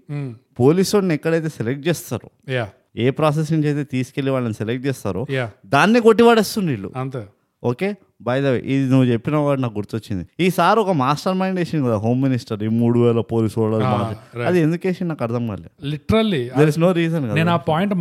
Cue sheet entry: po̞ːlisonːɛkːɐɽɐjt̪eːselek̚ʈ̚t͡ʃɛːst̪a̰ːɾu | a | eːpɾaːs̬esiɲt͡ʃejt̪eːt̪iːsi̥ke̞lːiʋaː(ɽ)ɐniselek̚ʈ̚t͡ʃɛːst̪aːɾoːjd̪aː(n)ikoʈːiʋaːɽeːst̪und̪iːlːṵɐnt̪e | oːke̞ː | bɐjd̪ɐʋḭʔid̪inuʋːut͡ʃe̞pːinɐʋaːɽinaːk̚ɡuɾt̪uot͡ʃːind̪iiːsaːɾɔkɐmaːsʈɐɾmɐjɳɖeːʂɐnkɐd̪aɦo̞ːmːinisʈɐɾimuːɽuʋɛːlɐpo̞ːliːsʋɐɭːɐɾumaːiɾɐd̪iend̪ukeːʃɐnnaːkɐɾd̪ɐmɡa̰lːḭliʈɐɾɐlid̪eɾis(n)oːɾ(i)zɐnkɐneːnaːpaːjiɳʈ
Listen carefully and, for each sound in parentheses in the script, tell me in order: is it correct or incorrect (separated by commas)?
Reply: incorrect, incorrect, correct, incorrect